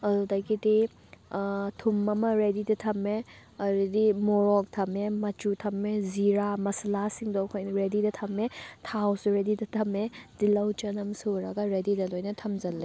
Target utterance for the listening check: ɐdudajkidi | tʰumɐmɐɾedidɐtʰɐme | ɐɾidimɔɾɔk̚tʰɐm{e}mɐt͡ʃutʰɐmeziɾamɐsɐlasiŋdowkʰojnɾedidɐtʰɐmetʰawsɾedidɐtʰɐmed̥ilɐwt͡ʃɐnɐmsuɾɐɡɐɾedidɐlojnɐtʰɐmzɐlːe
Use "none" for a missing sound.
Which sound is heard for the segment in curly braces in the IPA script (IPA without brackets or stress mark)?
e